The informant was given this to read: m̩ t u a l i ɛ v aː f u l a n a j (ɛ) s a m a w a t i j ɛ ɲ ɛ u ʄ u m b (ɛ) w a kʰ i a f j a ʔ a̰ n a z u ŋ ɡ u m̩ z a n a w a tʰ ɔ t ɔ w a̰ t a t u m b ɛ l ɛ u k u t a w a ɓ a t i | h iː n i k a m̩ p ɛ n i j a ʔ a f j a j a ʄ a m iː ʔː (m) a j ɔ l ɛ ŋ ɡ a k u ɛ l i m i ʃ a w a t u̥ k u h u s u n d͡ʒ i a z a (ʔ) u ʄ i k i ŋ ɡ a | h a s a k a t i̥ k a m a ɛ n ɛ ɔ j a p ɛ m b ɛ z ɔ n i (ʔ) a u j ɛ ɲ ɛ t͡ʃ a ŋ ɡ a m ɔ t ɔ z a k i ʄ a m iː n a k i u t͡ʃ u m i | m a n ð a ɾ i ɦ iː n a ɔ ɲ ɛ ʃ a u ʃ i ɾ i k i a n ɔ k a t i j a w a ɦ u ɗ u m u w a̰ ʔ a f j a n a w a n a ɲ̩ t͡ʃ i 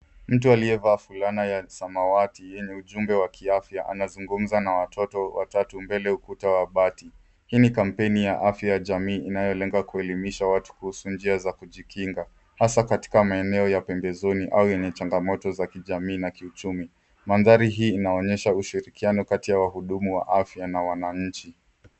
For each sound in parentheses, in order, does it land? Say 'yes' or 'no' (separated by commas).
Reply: no, yes, no, no, yes